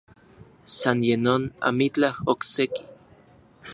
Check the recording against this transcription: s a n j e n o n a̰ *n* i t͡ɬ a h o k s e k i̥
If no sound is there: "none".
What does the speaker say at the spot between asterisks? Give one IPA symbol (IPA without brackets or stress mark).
m